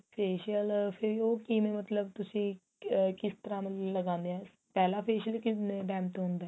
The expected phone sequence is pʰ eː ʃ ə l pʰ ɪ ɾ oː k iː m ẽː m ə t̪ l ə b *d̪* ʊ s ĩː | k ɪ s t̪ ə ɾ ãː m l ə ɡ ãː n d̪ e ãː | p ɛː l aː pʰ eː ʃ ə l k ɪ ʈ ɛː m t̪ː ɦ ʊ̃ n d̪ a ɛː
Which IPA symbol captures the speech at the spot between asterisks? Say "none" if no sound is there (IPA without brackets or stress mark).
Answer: t̪